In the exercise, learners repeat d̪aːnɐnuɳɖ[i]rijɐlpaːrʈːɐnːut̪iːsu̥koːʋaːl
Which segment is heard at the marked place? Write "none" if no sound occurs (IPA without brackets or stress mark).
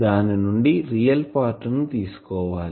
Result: i